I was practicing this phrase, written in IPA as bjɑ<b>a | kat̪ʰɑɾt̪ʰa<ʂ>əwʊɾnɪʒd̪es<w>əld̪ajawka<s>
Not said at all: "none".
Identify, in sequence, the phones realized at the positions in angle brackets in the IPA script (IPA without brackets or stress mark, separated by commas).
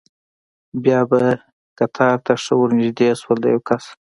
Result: b, ʂ, w, s